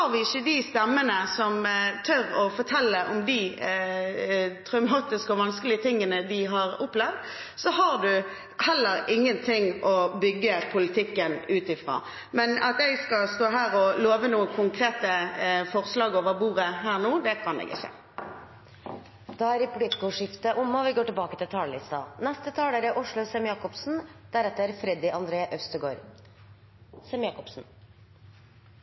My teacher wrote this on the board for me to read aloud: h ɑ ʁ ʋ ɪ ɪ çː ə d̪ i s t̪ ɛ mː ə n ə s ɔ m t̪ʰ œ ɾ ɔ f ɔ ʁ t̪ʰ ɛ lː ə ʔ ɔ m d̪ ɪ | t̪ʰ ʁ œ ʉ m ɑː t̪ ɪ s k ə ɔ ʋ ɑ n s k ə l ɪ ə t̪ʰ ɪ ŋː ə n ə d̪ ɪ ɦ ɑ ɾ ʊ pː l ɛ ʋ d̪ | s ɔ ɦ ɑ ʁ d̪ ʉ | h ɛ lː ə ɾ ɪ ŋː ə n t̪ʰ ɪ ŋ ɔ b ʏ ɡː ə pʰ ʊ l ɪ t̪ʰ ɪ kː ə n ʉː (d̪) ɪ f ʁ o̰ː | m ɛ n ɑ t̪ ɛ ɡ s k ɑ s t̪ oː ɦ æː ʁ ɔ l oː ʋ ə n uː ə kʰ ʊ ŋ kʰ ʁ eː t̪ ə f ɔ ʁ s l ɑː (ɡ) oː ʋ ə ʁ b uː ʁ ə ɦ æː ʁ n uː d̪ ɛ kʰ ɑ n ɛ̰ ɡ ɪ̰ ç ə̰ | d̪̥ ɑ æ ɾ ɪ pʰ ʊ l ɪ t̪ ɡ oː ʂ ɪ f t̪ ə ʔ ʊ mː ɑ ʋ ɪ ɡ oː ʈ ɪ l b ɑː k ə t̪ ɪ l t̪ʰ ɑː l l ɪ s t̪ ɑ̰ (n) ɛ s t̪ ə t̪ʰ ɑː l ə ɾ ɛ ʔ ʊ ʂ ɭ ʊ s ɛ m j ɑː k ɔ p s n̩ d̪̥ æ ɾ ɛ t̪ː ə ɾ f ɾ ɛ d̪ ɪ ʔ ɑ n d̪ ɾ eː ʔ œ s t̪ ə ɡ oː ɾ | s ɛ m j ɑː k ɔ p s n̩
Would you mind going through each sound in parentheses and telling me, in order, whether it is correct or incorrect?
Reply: incorrect: t̪, correct, correct

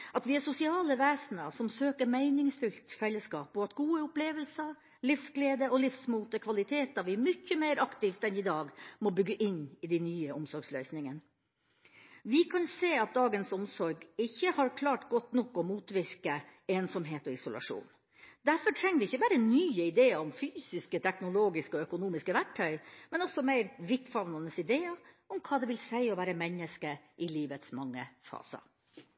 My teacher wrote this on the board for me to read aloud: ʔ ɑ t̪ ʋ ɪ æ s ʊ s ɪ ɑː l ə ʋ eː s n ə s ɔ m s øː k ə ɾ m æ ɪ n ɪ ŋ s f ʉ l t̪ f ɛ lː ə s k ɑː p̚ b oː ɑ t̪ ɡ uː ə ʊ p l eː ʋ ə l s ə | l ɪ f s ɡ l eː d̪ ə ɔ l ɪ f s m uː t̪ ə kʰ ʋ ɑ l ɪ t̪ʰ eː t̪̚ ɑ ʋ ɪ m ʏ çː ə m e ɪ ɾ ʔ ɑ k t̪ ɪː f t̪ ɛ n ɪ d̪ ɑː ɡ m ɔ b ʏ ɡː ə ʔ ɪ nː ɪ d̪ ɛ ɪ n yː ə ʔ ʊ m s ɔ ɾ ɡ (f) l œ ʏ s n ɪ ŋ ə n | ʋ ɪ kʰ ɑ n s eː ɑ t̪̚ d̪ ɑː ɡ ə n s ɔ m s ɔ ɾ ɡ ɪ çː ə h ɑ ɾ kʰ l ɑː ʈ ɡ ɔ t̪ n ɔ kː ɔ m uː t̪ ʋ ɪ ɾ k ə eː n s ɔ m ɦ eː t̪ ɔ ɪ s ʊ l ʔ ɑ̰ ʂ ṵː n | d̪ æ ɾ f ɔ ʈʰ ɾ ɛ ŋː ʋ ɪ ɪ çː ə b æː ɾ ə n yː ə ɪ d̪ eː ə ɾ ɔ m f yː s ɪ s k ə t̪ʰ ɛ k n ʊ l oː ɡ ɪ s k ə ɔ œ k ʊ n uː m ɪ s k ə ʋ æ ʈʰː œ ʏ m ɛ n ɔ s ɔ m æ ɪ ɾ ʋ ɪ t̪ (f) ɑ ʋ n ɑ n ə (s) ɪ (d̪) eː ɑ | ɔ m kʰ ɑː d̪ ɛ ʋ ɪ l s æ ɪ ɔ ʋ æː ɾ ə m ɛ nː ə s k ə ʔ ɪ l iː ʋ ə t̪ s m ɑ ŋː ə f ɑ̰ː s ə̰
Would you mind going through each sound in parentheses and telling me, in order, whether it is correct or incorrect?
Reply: incorrect: s, correct, correct, correct

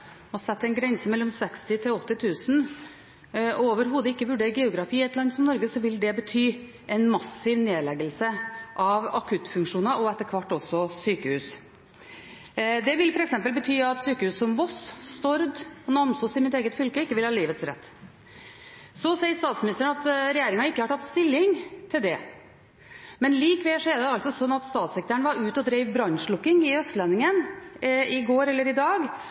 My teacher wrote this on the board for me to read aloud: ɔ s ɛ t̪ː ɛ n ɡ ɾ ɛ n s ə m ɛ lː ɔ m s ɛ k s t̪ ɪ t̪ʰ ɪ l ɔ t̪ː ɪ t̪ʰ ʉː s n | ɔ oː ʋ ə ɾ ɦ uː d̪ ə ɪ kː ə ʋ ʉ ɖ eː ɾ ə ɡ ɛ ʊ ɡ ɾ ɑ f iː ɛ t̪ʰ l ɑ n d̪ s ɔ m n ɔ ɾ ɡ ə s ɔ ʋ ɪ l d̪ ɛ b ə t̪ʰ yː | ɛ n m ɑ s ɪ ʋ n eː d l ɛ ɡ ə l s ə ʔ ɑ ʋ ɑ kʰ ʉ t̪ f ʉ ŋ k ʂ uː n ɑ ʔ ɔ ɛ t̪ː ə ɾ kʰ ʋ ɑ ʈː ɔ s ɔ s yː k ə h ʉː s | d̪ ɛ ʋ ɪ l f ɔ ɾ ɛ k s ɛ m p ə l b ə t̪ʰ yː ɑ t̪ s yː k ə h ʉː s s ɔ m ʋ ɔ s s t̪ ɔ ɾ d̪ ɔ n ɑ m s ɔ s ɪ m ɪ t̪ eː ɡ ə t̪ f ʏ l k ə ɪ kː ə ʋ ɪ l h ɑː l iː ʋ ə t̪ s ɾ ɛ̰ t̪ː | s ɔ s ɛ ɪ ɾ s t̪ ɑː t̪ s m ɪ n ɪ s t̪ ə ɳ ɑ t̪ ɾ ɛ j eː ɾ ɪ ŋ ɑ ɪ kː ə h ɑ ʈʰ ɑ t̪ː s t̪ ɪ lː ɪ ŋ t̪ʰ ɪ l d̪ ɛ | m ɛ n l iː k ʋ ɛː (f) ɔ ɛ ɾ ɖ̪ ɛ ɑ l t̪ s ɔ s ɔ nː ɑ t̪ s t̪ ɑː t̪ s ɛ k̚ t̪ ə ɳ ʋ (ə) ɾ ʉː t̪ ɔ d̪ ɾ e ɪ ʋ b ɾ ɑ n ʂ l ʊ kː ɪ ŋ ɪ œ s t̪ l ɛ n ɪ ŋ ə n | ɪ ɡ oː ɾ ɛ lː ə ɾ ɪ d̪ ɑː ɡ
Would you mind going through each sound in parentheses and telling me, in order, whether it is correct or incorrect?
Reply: incorrect: ʂ, incorrect: ɑ

